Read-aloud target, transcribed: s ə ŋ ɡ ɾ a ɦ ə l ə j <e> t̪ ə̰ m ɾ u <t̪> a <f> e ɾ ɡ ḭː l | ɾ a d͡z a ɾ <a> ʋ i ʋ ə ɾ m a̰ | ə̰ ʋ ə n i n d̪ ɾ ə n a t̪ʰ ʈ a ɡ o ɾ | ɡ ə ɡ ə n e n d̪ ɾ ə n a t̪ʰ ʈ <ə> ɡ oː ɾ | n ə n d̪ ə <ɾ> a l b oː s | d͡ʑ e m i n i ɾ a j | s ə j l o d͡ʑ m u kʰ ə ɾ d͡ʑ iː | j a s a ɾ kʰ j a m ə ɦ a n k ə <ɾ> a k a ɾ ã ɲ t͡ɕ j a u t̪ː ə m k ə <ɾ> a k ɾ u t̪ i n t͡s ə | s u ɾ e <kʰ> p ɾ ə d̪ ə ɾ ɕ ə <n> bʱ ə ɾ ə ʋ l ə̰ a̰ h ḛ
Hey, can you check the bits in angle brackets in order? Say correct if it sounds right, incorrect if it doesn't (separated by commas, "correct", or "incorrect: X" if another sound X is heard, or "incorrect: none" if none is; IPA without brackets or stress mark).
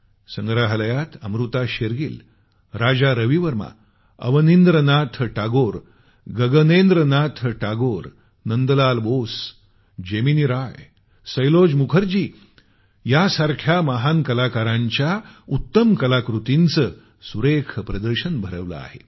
incorrect: a, correct, incorrect: ɕ, incorrect: ə, incorrect: a, incorrect: l, incorrect: l, incorrect: l, correct, correct